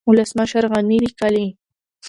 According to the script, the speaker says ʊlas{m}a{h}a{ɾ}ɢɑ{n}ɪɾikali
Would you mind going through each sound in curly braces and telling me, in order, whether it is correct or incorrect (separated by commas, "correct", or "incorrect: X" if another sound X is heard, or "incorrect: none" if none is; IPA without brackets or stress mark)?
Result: correct, incorrect: ʃ, correct, correct